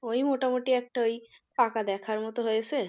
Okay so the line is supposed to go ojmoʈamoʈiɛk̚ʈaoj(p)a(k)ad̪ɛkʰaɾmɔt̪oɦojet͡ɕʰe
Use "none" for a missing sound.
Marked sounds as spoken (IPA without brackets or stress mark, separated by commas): p, k